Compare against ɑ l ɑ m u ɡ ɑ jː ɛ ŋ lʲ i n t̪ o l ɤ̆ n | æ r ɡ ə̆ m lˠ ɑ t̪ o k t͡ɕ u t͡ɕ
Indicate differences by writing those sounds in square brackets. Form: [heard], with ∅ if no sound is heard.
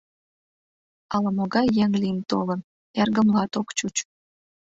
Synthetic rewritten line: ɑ l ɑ m [o] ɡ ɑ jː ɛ ŋ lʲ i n t̪ o l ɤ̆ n | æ r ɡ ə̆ m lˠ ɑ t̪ o k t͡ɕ u t͡ɕ